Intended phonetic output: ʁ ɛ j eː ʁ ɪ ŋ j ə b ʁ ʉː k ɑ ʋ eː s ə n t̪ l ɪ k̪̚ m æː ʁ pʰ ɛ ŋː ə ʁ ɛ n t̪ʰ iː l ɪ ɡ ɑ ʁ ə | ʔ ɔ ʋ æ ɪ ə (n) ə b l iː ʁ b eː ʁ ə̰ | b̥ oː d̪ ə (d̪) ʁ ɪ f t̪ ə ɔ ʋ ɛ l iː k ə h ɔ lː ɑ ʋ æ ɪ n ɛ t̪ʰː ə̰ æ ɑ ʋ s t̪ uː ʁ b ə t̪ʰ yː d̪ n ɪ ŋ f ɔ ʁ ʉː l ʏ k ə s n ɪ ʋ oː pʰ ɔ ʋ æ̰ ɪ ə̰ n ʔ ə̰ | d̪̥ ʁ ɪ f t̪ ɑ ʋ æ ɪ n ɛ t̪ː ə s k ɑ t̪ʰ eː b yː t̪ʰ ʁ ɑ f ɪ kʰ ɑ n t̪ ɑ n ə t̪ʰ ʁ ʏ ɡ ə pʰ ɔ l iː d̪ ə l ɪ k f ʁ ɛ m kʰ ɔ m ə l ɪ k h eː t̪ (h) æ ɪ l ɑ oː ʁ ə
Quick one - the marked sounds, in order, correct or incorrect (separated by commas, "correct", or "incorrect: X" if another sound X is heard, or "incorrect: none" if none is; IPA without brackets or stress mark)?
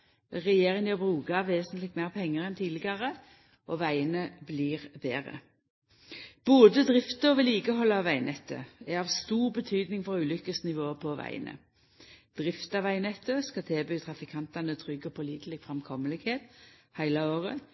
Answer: correct, correct, correct